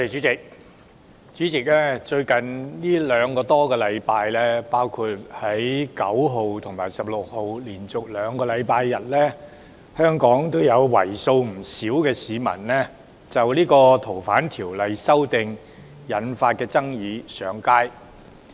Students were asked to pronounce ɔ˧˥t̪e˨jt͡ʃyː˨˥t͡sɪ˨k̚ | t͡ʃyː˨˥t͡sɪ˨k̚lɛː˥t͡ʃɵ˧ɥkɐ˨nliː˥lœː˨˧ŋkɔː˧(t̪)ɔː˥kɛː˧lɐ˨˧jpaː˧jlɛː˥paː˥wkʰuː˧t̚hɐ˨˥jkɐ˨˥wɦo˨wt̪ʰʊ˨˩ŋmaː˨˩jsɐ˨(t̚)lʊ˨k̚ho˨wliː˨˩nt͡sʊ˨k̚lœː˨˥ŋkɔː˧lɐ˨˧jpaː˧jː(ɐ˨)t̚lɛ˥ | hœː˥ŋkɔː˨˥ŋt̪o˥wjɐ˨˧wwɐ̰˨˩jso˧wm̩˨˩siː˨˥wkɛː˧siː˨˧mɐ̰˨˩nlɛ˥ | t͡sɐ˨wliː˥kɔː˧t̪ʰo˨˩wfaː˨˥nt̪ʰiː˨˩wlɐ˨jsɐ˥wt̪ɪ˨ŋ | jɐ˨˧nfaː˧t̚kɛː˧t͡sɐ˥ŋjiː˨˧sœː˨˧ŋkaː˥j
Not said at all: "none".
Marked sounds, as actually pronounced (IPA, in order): t̪, p̚, ɐ˨

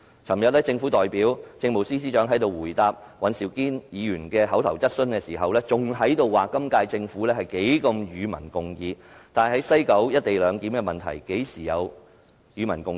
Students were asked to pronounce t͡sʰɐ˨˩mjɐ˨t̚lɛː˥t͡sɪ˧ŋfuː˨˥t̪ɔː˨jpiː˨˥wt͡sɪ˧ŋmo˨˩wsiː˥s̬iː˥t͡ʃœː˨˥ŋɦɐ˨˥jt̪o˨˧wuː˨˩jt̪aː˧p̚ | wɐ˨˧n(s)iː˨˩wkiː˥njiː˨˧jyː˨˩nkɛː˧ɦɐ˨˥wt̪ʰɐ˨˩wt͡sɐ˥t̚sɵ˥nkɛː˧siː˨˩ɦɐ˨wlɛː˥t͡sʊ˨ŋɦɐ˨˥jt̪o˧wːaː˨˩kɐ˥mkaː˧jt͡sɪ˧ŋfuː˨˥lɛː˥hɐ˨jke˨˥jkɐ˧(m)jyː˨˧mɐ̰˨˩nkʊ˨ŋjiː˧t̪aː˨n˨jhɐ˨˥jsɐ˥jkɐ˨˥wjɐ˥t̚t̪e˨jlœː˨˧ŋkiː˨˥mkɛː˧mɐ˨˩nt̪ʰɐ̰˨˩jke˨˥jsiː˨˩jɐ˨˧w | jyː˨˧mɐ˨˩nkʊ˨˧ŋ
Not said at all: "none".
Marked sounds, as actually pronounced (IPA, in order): s, m

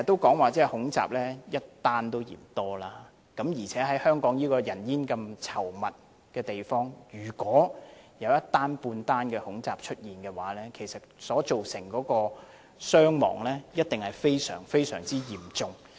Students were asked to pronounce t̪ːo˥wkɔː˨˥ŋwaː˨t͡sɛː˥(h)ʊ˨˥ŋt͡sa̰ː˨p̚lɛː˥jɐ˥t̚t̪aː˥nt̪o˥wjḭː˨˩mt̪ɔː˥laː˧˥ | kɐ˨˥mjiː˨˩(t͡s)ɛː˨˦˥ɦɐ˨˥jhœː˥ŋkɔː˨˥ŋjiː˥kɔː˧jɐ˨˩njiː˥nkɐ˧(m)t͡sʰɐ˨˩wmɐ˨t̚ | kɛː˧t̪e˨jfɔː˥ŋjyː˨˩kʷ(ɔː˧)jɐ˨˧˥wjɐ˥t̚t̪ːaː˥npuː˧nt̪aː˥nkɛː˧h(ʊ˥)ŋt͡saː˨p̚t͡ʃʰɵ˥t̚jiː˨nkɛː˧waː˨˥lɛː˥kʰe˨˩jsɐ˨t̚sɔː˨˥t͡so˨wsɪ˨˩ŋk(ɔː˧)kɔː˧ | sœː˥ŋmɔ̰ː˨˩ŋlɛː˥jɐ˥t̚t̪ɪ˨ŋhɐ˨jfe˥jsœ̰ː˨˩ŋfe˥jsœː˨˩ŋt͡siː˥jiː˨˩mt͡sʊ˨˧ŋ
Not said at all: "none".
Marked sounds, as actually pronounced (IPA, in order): h, t͡sʰ, m, ɔː˨˥, ʊ˨˥, ɔː˨˥

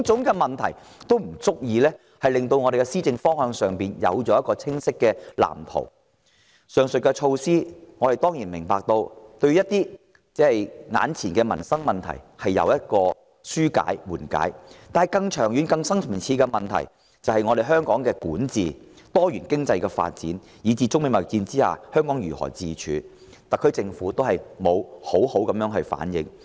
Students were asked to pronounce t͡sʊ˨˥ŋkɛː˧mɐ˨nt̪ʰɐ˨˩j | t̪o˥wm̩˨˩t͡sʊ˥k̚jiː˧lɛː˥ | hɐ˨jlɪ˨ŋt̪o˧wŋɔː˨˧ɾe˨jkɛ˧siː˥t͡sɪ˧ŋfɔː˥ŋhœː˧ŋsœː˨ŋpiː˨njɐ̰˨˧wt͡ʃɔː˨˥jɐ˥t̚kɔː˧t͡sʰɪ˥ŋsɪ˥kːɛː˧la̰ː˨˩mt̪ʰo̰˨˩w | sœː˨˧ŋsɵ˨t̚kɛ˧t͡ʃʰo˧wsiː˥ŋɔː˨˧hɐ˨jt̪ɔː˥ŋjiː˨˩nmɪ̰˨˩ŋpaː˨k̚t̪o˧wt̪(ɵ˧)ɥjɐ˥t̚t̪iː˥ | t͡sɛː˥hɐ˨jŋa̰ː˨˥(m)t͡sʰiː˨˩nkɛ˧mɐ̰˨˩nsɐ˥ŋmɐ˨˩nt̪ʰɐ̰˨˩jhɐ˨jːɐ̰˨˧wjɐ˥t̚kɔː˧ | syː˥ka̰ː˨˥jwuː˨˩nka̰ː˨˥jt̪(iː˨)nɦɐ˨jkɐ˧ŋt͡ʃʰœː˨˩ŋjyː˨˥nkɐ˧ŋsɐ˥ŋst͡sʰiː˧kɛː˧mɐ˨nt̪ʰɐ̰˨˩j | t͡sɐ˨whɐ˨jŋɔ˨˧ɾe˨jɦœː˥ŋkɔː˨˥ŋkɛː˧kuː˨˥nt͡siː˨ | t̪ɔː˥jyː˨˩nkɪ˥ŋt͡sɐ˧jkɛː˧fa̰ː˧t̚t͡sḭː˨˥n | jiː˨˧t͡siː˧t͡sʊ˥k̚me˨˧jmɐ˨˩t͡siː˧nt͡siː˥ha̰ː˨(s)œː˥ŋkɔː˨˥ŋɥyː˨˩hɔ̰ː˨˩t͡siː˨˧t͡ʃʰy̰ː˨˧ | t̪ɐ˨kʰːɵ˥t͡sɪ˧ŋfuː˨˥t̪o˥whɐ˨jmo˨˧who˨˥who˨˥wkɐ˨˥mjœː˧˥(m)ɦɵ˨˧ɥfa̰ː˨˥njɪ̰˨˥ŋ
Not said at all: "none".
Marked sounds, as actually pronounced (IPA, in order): ɵ˧, n, aː˨, h, ŋ

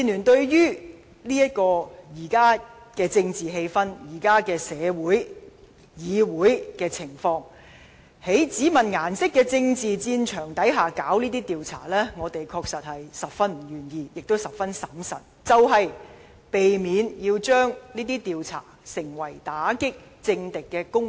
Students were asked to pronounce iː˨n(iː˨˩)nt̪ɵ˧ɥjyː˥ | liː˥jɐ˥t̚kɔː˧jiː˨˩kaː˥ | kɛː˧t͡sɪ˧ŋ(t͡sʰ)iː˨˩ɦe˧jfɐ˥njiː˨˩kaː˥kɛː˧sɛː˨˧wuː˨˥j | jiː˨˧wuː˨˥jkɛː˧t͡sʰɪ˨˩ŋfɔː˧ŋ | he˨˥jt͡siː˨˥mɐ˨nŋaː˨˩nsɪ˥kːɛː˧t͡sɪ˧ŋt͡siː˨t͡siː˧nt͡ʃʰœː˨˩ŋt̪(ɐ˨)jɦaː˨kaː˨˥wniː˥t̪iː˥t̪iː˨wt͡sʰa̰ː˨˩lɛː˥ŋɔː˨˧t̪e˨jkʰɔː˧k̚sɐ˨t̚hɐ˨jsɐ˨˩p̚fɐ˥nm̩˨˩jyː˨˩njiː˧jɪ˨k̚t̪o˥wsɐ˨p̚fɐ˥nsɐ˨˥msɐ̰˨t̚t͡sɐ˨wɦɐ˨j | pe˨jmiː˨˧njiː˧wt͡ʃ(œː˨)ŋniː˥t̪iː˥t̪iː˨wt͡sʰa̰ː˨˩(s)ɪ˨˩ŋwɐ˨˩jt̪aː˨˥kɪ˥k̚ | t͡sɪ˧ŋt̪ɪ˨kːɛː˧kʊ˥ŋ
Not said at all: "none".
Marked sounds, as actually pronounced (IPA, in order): yː˨˩, t͡s, ɐ˨˥, œː˥, s

